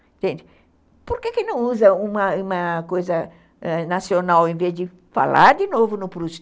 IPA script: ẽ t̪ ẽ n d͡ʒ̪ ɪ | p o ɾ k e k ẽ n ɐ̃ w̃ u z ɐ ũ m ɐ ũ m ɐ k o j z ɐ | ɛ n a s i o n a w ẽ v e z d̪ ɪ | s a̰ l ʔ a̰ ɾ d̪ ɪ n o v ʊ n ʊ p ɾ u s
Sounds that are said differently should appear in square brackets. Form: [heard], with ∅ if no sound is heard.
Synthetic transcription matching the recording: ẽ t̪ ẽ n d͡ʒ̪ ɪ | p o ɾ k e k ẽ n ɐ̃ w̃ u z ɐ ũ m ɐ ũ m ɐ k o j z ɐ | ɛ n a s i o n a w ẽ v e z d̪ ɪ | [f] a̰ l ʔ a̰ ɾ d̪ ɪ n o v ʊ n ʊ p ɾ u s